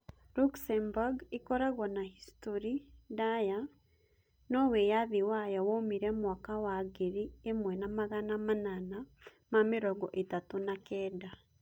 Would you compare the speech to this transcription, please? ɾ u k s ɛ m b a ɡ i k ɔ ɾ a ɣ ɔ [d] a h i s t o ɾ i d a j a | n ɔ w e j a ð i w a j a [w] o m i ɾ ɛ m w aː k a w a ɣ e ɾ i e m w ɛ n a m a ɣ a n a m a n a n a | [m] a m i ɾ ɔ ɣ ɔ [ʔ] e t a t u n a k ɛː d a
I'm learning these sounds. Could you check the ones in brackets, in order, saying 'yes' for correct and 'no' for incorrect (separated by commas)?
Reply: no, yes, yes, yes